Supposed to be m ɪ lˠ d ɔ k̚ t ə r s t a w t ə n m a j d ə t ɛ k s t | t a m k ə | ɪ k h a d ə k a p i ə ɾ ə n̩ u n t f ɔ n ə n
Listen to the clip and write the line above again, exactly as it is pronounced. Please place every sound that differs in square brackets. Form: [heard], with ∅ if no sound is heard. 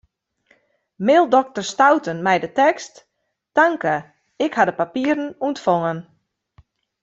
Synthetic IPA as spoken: m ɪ lˠ d ɔ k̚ t ə r s t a w t ə n m [ɛ] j d ə t ɛ k s t | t a [ŋ] k ə | ɪ k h a d ə [p] a p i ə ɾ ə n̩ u n t f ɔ [ŋ] ə n